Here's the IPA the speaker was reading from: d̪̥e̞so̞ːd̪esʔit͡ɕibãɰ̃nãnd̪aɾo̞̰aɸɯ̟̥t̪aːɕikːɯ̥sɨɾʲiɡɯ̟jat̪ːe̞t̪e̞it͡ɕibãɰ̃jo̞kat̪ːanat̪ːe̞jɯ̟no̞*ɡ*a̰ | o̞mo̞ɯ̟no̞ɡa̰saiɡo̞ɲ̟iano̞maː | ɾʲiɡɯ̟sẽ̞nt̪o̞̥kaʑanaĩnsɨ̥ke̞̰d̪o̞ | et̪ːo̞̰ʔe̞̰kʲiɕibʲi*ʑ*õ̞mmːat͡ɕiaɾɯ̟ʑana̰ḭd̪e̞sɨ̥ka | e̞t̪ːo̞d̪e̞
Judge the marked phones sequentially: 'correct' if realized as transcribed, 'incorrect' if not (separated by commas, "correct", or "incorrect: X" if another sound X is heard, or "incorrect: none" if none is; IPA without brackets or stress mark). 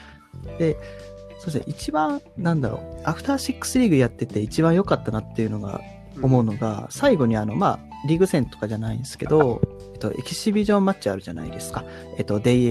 correct, correct